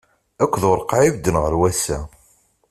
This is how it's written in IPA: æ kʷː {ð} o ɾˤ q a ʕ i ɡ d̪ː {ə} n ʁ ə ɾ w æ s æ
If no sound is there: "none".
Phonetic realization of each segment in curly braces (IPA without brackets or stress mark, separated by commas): ð, ə